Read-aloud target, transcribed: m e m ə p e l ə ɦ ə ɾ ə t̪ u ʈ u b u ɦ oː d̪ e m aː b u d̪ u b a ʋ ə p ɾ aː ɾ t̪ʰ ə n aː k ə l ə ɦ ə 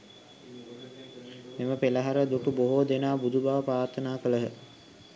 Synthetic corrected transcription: m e m ə p e l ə ɦ a ɾ ə d̪ u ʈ u b o ɦ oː d̪ e n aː b u d̪ u b a ʋ ə p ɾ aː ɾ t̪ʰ ə n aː k ə l ə ɦ ə